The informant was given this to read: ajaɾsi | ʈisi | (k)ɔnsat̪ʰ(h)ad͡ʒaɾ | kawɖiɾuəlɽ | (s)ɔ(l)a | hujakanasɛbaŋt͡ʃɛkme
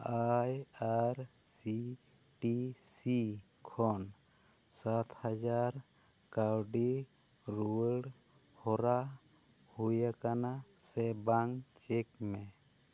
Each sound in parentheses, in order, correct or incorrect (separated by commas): incorrect, correct, incorrect, incorrect